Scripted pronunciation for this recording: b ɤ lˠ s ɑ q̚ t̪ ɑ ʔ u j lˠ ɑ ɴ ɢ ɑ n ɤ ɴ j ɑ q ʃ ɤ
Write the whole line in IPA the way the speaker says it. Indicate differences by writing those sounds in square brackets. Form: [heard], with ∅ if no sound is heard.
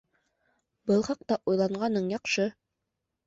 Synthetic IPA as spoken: b ɤ lˠ [χ] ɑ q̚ t̪ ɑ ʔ u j lˠ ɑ ɴ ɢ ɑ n ɤ ɴ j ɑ q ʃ ɤ